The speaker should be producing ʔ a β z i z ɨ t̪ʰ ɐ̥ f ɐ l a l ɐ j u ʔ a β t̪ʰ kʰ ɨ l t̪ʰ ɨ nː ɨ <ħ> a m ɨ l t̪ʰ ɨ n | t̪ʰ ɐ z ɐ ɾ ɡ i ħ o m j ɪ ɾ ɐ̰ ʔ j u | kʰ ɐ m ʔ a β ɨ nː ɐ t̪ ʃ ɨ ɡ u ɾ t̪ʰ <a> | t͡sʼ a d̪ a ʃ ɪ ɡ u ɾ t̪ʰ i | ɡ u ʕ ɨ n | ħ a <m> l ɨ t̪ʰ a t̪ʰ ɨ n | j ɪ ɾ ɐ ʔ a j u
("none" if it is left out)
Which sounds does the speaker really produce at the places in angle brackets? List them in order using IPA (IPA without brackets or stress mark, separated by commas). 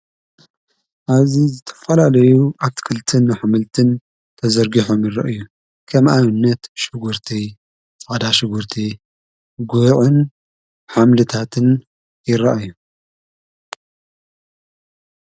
ħ, i, m